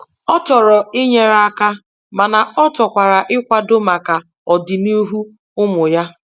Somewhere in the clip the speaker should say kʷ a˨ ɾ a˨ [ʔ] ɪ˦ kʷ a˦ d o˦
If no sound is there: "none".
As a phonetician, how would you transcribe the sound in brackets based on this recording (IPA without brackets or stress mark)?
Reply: ʔ